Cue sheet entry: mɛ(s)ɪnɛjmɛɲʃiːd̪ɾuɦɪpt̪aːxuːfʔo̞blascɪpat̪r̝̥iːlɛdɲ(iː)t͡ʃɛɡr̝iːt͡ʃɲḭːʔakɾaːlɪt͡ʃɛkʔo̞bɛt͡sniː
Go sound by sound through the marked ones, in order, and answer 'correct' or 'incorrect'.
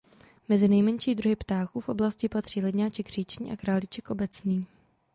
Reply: incorrect: z, incorrect: aː

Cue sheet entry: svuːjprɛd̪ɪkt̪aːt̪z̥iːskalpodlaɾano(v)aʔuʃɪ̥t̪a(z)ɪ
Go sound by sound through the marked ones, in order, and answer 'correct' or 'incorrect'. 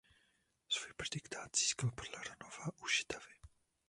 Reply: correct, incorrect: v

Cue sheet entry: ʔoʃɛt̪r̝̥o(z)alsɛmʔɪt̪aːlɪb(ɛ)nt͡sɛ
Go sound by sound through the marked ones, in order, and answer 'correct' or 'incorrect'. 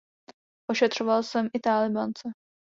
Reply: incorrect: v, incorrect: a

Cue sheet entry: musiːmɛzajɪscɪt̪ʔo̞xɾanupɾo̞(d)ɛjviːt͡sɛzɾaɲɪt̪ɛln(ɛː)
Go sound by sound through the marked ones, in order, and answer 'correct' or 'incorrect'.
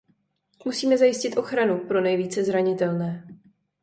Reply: incorrect: n, correct

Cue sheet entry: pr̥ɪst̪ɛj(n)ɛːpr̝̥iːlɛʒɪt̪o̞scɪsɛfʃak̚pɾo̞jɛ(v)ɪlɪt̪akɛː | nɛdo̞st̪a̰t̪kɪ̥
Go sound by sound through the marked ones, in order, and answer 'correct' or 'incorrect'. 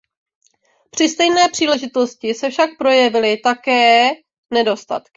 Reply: correct, correct

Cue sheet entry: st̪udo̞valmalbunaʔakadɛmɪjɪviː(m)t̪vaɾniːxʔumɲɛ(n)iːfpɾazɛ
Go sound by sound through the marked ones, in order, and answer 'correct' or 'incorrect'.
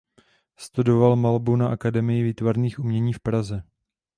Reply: incorrect: none, incorrect: ɲ

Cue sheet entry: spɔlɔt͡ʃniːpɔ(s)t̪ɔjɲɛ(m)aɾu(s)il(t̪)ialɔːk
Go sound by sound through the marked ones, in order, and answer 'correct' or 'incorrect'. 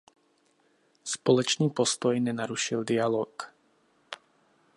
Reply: correct, incorrect: n, incorrect: ʃ, incorrect: d̪

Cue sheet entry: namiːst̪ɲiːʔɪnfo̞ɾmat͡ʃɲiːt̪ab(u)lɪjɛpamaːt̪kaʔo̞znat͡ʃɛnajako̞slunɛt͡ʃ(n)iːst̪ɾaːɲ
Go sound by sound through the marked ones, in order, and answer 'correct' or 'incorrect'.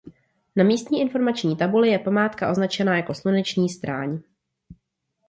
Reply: correct, incorrect: ɲ

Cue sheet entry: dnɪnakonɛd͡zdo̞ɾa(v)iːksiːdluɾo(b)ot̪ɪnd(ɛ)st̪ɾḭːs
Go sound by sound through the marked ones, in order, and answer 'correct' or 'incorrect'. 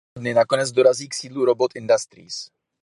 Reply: incorrect: z, correct, incorrect: a

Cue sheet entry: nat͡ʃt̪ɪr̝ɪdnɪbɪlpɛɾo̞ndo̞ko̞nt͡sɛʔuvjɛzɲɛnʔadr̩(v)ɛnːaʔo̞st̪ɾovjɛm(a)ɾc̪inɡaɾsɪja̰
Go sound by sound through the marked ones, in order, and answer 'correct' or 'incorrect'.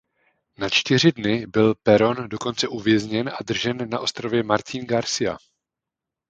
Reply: incorrect: ʒ, correct

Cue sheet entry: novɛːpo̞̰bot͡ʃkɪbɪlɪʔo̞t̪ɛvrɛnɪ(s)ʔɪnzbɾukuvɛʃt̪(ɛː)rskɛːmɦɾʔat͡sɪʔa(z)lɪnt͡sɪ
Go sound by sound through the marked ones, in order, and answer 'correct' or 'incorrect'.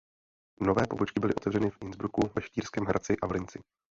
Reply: incorrect: f, incorrect: iː, incorrect: v

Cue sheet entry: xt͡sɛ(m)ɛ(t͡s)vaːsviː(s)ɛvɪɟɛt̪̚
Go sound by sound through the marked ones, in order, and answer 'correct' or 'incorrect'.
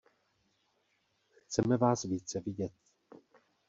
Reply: correct, incorrect: none, incorrect: t͡s

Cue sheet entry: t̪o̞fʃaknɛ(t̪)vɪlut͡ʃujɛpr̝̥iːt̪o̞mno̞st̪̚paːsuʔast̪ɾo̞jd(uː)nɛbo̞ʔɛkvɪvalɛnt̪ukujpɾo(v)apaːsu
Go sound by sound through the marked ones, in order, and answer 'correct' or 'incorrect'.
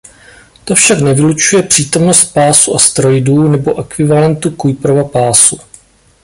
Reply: incorrect: none, correct, correct

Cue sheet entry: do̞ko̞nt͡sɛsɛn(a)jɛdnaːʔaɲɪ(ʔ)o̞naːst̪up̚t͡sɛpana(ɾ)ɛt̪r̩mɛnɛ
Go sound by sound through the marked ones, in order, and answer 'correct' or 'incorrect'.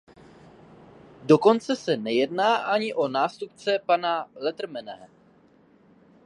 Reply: incorrect: ɛ, correct, incorrect: l

